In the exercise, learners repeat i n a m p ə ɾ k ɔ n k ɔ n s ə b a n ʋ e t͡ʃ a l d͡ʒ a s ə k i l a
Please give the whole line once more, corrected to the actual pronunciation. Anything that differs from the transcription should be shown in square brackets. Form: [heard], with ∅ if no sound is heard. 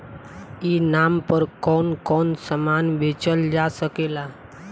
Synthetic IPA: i n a m p ə ɾ k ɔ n k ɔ n s ə [m] a n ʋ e t͡ʃ [ə] l d͡ʒ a s ə k [e] l a